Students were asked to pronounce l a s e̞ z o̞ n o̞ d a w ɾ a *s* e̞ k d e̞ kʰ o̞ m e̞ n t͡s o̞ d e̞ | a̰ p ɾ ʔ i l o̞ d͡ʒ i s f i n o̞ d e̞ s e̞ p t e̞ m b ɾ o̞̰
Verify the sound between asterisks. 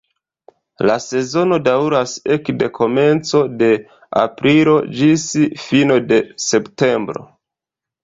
correct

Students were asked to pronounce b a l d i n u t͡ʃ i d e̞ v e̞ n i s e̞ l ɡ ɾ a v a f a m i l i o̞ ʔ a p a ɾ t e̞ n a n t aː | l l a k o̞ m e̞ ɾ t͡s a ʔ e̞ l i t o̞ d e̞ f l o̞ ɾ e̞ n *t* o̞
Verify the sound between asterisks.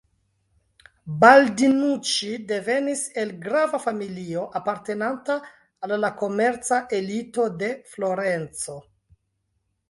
incorrect: t͡s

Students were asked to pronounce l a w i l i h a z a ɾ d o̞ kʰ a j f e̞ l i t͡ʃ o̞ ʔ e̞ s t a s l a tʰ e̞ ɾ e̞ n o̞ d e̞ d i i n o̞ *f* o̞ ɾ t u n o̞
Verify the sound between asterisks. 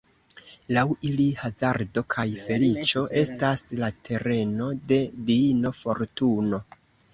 correct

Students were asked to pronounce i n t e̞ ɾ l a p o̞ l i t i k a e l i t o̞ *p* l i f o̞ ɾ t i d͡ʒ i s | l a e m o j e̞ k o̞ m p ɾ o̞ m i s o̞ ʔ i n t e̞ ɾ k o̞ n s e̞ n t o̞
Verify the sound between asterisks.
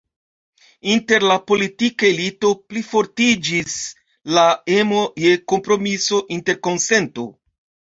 correct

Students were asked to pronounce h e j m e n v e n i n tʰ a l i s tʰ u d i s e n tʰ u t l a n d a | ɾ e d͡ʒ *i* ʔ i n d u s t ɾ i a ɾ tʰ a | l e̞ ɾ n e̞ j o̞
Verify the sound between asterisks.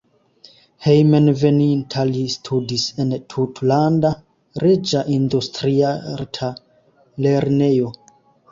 incorrect: a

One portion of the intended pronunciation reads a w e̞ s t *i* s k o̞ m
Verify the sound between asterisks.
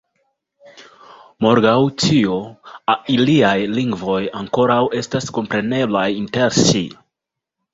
incorrect: a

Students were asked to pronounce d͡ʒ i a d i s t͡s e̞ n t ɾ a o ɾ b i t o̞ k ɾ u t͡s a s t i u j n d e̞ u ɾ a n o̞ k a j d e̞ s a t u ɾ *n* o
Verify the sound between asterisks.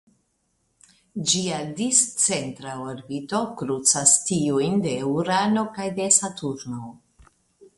correct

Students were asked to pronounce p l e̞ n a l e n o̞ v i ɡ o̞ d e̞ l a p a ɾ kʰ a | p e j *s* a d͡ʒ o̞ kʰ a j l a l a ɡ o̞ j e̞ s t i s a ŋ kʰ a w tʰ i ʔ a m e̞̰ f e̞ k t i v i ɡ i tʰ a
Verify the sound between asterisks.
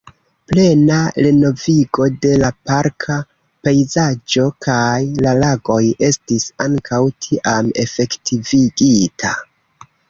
incorrect: z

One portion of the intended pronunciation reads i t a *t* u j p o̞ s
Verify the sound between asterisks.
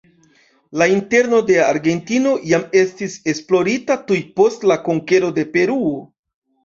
correct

